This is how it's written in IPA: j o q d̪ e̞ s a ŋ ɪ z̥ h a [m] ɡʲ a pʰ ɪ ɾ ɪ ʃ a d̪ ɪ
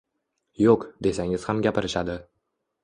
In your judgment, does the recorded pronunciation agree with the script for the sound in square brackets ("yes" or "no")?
yes